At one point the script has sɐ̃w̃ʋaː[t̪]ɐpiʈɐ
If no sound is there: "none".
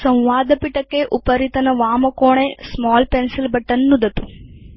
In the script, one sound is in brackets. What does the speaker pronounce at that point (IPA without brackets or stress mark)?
d̪